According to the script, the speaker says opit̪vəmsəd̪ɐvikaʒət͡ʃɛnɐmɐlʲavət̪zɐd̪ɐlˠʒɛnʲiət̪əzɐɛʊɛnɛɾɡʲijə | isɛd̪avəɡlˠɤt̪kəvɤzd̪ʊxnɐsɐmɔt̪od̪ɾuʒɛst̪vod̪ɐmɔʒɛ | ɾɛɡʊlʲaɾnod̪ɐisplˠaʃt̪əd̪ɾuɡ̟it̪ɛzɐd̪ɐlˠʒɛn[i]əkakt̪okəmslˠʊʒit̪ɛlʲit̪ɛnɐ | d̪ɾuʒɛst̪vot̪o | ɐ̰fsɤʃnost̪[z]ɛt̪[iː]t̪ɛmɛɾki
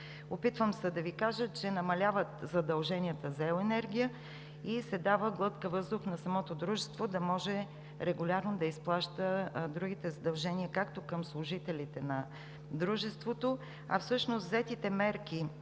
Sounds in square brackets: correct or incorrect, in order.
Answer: correct, correct, incorrect

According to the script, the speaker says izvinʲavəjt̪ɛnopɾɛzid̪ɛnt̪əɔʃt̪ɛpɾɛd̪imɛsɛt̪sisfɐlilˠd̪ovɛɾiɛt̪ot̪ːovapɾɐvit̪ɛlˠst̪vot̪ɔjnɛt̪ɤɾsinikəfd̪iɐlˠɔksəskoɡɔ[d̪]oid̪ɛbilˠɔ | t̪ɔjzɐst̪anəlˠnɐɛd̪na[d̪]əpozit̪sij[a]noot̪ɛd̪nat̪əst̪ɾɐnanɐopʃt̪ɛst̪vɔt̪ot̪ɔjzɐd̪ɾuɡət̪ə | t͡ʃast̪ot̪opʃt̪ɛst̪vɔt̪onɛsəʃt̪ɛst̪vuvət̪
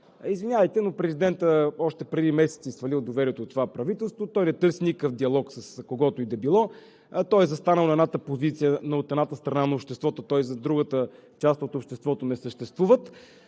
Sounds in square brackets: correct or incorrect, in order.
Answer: incorrect, incorrect, incorrect

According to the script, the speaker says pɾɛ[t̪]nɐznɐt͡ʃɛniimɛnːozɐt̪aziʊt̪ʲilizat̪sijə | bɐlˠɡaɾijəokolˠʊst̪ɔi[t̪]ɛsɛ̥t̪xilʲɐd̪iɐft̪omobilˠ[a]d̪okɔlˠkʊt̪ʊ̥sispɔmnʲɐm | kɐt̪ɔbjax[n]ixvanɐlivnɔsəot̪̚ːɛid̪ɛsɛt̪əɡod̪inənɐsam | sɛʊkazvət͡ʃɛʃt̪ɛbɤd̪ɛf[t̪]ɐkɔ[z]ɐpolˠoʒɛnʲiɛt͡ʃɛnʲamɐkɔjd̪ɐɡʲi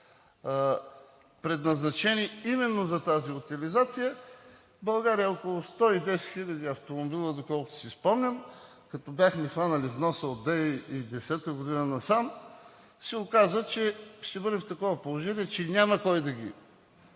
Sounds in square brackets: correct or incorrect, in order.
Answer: incorrect, incorrect, incorrect, incorrect, correct, incorrect

